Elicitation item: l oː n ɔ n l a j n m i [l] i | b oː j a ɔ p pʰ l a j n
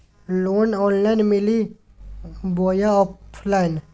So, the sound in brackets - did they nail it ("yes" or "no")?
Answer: yes